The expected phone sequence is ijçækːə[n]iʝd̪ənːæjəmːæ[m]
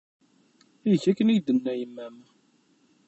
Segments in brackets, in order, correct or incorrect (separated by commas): correct, correct